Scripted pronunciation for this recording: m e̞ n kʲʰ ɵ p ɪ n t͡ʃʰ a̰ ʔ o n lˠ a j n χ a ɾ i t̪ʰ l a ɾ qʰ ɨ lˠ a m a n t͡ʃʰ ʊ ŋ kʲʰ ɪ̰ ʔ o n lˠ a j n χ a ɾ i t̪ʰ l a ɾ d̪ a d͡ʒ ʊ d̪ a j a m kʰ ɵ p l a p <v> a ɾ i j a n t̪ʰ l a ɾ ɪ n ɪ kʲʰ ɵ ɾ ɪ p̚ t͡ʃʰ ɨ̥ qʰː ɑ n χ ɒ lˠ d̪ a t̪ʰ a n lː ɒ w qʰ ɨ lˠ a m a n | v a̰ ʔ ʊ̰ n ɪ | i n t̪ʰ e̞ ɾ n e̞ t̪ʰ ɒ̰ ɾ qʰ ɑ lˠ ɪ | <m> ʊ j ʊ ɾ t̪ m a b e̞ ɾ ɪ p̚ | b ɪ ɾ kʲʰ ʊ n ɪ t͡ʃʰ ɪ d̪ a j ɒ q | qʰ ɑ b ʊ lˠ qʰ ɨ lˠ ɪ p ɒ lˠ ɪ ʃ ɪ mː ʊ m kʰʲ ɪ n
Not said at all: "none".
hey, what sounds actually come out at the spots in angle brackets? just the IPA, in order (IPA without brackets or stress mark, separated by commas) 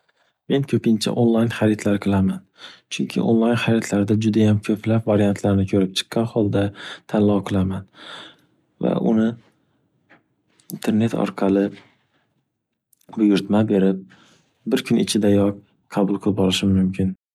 v, b